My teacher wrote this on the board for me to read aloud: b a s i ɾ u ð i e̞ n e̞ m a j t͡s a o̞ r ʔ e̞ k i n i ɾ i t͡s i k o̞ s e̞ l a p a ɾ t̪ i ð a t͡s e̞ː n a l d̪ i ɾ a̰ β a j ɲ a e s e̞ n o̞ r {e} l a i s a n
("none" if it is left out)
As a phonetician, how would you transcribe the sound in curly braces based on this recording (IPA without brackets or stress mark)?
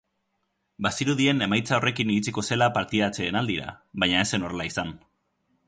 e